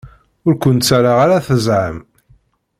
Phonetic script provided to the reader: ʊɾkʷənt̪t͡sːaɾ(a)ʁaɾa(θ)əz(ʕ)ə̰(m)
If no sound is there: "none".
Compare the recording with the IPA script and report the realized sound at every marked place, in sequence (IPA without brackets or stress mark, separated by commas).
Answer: a, θ, ʕ, m